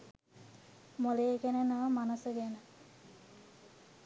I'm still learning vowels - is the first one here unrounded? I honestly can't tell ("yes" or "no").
no